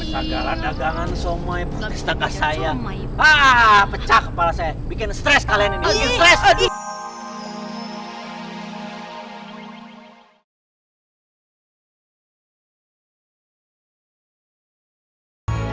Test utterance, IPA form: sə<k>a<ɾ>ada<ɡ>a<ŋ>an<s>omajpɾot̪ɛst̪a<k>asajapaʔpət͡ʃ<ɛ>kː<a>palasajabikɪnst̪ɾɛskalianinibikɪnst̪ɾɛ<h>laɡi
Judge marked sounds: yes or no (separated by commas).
no, no, yes, yes, yes, yes, no, no, no